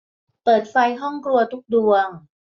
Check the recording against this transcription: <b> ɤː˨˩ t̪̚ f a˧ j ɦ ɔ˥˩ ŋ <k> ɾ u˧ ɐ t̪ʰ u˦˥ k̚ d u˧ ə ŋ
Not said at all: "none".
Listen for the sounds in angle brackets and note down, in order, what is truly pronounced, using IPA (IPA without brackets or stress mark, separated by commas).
p, k